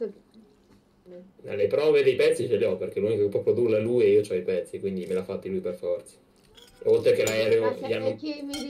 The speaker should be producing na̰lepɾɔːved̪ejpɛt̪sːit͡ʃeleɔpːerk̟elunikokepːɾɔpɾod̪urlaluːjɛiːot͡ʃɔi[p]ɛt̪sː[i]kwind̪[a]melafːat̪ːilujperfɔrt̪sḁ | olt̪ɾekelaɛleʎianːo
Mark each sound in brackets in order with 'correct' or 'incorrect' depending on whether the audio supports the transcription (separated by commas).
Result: correct, correct, incorrect